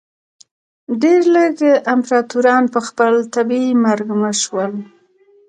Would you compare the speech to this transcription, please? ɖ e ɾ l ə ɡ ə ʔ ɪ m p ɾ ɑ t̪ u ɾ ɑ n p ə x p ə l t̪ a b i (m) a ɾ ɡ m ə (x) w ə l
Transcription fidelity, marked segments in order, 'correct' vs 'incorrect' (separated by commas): correct, incorrect